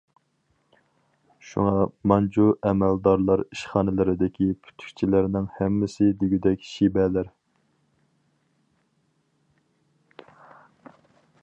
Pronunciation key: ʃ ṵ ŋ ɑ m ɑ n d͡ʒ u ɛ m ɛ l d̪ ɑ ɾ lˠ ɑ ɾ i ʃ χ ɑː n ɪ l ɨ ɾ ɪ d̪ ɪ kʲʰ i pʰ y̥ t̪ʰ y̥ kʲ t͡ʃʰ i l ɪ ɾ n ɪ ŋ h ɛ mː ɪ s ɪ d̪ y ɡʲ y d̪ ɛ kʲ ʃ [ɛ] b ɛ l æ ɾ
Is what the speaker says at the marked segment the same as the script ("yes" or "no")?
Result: no